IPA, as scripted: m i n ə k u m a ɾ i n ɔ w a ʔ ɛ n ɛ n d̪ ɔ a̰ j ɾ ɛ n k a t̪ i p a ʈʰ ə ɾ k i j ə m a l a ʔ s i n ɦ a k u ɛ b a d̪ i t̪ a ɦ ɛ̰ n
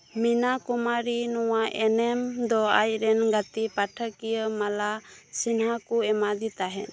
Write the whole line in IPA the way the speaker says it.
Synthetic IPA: m i n a k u m a ɾ i n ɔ w a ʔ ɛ n ɛ m d̪ ɔ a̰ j ɾ ɛ n ɡ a t̪ i p a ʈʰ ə k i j ə m a l a s i n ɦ a k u ɛ m a d̪ i t̪ a ɦ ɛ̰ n

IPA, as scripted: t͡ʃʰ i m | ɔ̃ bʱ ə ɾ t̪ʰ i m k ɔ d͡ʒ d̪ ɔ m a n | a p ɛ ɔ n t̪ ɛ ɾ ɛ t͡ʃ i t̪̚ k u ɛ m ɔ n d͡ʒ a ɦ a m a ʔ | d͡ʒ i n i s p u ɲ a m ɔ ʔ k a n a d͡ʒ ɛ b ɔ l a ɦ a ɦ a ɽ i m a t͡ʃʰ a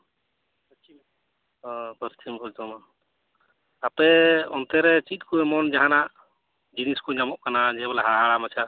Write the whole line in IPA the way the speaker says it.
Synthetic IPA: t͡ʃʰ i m | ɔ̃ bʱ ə ɾ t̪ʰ i m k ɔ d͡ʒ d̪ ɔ m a n | a p ɛ ɔ n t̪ ɛ ɾ ɛ t͡ʃ i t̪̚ k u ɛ m ɔ n d͡ʒ a ɦ a n a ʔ | d͡ʒ i n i s k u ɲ a m ɔ ʔ k a n a d͡ʒ ɛ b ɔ l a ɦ a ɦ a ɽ a m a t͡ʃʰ a

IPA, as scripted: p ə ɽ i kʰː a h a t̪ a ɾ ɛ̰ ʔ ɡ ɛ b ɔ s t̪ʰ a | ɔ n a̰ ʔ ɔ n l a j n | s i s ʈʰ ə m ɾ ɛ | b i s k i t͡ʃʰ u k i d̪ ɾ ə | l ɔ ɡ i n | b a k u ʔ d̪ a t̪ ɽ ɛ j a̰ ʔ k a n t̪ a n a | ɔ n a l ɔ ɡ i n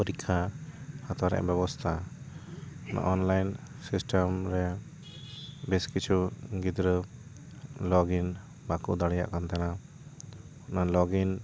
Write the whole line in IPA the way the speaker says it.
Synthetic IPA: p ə ɾ i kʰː a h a t̪ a ɾ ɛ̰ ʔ b ɛ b ɔ s t̪ʰ a | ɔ n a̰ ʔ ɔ n l a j n | s i s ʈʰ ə m ɾ ɛ | b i s k i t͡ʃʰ u ɡ i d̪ ɾ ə | l ɔ ɡ i n | b a k u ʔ d̪ a ɽ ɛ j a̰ ʔ k a n t̪ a n a | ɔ n a l ɔ ɡ i n

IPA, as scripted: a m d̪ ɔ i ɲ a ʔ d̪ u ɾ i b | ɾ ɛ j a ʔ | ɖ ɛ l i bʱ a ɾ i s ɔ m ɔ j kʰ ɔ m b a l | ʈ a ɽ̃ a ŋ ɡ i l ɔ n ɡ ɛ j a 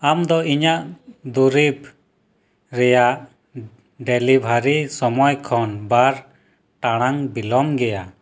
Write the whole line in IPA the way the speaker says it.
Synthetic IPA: a m d̪ ɔ i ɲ a ʔ d̪ u ɾ i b | ɾ ɛ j a ʔ | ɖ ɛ l i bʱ a ɾ i s ɔ m ɔ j kʰ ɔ n b a ɾ | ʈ a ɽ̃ a ŋ b i l ɔ m ɡ ɛ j a

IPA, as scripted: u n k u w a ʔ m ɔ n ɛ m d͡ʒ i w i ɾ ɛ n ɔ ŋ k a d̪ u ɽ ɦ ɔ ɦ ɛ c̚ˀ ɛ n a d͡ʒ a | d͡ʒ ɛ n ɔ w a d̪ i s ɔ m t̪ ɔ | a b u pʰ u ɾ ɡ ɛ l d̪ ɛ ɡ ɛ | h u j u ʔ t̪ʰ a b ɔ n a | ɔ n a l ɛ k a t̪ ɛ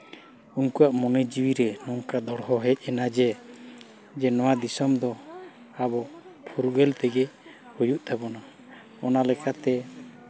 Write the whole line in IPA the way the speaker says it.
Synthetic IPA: u n k u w a ʔ m ɔ n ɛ d͡ʒ i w i ɾ ɛ n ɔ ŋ k a d̪ ɔ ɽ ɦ ɔ ɦ ɛ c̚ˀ ɛ n a d͡ʒ ɛ | d͡ʒ ɛ n ɔ w a d̪ i s ɔ m d̪ ɔ | a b ɔ pʰ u ɾ ɡ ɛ l t̪ ɛ ɡ ɛ | h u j u ʔ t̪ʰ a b ɔ n a | ɔ n a l ɛ k a t̪ ɛ

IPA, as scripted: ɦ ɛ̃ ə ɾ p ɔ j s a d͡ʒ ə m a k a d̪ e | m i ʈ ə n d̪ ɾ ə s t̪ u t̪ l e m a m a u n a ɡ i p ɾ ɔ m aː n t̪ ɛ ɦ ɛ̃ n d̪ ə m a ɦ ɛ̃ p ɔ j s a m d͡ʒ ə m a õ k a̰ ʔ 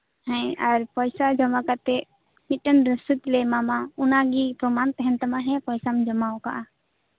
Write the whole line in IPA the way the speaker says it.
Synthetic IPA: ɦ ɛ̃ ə ɾ p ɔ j s a d͡ʒ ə m a k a t̪ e | m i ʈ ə n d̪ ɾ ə s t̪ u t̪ l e m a m a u n a ɡ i p ɾ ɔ m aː n t̪ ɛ ɦ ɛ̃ n t̪ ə m a ɦ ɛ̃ p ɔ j s a m d͡ʒ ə m a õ k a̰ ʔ

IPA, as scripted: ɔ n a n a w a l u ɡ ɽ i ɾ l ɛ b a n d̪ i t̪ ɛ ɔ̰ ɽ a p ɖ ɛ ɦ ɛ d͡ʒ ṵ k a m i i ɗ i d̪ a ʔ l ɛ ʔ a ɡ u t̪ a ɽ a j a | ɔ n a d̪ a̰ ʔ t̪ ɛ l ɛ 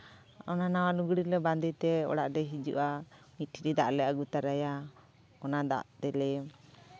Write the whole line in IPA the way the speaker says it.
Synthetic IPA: ɔ n a n a w a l u ɡ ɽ i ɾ l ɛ b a n d̪ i t̪ ɛ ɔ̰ ɽ a ʔ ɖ ɛ ɦ i d͡ʒ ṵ ʔ a m i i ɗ i d̪ a ʔ l ɛ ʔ a ɡ u t̪ a ɾ a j a | ɔ n a d̪ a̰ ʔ t̪ ɛ l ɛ

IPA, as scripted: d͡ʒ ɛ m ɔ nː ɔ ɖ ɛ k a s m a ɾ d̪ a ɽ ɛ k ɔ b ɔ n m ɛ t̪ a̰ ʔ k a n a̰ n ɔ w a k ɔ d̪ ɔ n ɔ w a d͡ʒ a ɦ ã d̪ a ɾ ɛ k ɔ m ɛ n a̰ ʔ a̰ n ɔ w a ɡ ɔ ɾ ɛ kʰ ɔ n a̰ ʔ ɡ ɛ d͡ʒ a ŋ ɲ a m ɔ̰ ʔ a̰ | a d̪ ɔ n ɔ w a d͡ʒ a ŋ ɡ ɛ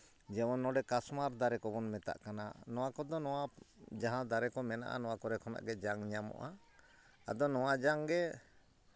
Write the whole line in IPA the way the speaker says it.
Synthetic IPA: d͡ʒ ɛ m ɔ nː ɔ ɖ ɛ k a s m a ɾ d̪ a ɾ ɛ k ɔ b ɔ n m ɛ t̪ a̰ ʔ k a n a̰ n ɔ w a k ɔ d̪ ɔ n ɔ w a d͡ʒ a ɦ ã d̪ a ɾ ɛ k ɔ m ɛ n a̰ ʔ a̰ n ɔ w a k ɔ ɾ ɛ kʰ ɔ n a̰ ʔ ɡ ɛ d͡ʒ a ŋ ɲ a m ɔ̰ ʔ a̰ | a d̪ ɔ n ɔ w a d͡ʒ a ŋ ɡ ɛ

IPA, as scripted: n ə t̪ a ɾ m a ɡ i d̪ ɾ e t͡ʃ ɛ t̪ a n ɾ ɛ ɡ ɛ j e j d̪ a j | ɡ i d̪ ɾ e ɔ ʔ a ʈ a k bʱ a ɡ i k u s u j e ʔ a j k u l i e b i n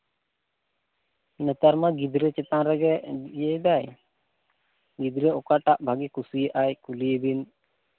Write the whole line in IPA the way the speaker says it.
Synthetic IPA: n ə t̪ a ɾ m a ɡ i d̪ ɾ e t͡ʃ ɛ t̪ a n ɾ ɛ ɡ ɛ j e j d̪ a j | ɡ i d̪ ɾ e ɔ k a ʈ a ʔ bʱ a ɡ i k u s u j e ʔ a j k u l i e b i n

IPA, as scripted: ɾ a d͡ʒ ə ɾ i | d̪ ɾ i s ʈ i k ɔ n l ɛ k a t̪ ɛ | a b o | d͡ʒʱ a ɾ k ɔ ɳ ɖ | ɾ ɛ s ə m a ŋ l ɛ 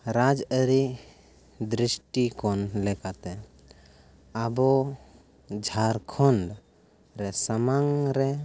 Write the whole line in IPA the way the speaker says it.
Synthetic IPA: ɾ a d͡ʒ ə ɾ i | d̪ ɾ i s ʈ i k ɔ n l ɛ k a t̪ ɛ | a b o | d͡ʒʱ a ɾ kʰ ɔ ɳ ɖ | ɾ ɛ s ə m a ŋ ɾ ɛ

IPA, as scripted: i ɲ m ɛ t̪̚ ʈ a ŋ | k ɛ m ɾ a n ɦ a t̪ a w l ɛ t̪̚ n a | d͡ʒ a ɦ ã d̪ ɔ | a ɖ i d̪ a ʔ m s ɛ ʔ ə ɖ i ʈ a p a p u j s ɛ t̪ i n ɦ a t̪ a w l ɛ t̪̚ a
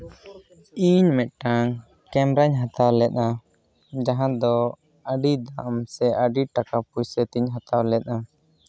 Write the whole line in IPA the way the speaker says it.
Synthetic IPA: i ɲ m ɛ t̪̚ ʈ a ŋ | k ɛ m ɾ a ɲ ɦ a t̪ a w l ɛ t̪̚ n a | d͡ʒ a ɦ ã d̪ ɔ | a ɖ i d̪ a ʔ m s ɛ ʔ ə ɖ i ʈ a k a p u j s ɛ t̪ i ɲ ɦ a t̪ a w l ɛ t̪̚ a

